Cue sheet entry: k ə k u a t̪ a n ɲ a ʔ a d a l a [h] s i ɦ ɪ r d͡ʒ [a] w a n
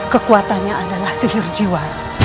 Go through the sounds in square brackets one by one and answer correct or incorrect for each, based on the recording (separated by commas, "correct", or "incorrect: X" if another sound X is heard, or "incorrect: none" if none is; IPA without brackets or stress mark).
correct, incorrect: i